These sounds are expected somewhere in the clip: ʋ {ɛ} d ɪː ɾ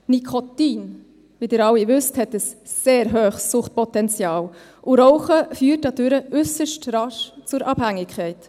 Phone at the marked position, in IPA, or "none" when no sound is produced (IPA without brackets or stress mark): i